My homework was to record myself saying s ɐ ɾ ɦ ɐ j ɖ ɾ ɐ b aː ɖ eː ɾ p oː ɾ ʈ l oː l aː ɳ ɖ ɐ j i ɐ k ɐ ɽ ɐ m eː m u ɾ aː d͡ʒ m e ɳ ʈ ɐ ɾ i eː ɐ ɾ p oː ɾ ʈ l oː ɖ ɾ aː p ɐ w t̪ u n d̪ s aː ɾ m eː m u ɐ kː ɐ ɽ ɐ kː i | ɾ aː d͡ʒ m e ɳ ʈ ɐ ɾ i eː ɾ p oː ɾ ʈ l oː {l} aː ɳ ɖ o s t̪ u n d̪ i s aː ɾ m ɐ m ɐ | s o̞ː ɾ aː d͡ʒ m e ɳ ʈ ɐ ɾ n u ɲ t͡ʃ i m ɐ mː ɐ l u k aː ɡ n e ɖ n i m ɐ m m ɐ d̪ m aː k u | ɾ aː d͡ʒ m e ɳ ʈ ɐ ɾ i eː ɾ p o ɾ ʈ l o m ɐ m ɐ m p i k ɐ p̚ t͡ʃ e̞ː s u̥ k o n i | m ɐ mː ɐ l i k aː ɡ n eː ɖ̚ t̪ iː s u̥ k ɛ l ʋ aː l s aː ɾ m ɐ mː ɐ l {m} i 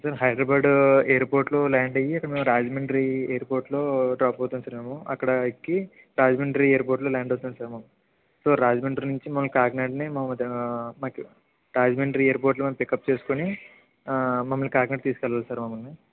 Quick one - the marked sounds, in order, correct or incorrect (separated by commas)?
correct, incorrect